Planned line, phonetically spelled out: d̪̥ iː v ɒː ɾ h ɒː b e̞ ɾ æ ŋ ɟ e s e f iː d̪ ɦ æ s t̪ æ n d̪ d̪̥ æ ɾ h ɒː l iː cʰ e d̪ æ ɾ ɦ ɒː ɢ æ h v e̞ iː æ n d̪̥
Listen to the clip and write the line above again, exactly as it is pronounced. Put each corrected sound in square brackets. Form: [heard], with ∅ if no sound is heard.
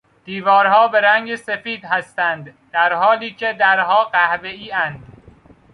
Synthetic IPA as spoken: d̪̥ iː v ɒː ɾ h ɒː b e̞ ɾ æ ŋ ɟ e s e f iː d̪ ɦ æ s t̪ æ n d̪ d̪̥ æ ɾ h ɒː l iː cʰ e d̪ æ ɾ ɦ ɒː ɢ æ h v e̞ iː æ n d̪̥